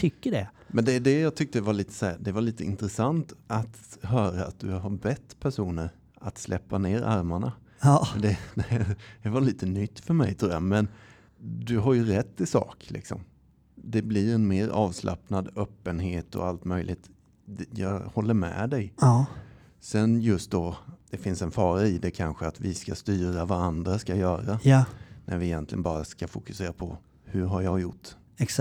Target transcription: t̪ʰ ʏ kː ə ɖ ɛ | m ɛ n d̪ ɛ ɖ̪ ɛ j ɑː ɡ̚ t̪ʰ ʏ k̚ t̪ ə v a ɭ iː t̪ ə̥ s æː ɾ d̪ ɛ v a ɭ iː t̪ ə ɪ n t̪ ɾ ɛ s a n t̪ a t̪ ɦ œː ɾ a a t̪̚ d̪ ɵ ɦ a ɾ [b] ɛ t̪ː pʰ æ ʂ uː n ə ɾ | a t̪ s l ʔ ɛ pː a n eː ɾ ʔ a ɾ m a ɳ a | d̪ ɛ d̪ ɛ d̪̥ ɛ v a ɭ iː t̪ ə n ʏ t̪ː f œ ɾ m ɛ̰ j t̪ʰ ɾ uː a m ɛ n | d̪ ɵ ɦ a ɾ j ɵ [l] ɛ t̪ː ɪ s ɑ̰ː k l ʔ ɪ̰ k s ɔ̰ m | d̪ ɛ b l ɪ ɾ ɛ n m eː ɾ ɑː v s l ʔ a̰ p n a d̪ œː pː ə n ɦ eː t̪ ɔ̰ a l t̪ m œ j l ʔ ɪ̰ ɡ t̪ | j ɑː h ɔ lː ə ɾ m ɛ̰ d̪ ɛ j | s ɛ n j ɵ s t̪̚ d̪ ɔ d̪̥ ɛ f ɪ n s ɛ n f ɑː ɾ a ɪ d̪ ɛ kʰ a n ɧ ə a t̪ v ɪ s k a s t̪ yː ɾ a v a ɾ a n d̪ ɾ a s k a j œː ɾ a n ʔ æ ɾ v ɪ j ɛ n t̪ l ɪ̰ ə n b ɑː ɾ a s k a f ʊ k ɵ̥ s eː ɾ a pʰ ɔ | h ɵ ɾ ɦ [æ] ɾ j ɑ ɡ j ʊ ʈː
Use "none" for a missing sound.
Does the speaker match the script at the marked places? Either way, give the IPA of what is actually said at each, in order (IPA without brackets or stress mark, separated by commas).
b, ɾ, a